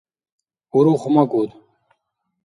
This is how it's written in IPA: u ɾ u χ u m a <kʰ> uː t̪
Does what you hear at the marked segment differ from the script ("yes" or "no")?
yes